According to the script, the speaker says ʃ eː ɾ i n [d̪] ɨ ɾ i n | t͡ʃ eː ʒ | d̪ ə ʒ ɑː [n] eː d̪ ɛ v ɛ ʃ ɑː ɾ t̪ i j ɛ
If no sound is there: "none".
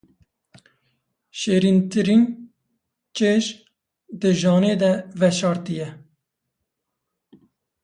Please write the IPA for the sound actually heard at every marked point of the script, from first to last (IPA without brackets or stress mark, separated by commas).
t̪, n